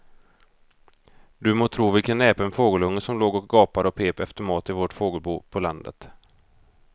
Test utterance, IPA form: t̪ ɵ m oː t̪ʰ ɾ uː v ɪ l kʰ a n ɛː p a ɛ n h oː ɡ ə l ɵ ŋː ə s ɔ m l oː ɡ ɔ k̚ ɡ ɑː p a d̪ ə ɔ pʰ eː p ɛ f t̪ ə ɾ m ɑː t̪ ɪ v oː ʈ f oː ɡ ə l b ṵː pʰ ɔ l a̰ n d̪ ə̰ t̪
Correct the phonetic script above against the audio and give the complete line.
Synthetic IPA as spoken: d̪ ɵ m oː t̪ʰ ɾ uː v ɪ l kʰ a n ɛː p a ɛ n f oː ɡ ə l ɵ ŋː ə s ɔ m l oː ɡ ɔ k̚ ɡ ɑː p a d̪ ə ɔ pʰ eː p ɛ f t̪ ə ɾ m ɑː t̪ ɪ v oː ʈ f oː ɡ ə l b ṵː pʰ ɔ l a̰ n d̪ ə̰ t̪